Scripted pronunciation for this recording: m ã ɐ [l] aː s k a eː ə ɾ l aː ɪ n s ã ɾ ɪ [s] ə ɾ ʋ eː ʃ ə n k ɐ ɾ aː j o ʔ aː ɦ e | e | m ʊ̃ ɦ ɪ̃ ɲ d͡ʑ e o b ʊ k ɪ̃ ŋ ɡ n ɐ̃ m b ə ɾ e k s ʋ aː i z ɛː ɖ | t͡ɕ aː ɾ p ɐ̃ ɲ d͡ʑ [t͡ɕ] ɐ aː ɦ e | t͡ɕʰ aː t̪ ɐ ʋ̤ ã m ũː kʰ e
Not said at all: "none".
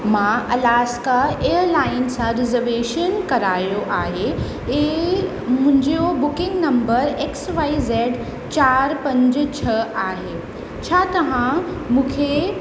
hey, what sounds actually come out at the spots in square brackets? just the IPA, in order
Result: l, z, t͡ɕʰ

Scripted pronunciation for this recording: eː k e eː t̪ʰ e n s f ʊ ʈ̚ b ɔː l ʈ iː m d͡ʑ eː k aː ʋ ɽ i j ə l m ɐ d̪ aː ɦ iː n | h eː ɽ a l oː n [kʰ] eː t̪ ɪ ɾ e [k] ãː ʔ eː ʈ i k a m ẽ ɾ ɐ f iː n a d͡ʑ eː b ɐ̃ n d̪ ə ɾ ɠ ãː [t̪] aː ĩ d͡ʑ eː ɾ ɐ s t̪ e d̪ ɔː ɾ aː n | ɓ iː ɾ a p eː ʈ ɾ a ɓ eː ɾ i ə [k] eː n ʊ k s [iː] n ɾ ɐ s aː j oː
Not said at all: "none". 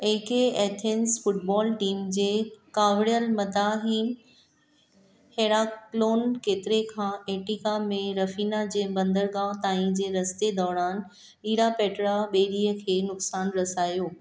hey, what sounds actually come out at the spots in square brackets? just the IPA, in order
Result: k, kʰ, t̪, kʰ, aː

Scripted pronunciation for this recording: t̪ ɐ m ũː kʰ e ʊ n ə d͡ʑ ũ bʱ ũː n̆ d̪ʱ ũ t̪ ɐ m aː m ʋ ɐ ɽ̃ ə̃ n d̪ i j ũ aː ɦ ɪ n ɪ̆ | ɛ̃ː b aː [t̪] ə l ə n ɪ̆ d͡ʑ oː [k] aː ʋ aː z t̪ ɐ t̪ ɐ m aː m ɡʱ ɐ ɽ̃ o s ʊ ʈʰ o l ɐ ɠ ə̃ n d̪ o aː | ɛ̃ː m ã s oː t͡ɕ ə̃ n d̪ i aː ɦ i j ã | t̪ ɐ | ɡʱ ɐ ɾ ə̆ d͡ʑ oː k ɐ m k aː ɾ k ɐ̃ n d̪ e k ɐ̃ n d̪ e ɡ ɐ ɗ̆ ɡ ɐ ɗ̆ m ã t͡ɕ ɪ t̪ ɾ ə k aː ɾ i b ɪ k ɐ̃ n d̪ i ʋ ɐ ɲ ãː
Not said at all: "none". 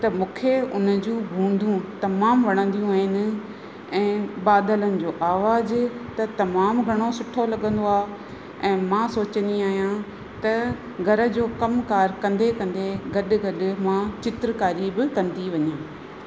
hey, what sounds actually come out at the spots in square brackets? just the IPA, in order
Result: d̪, ʔ

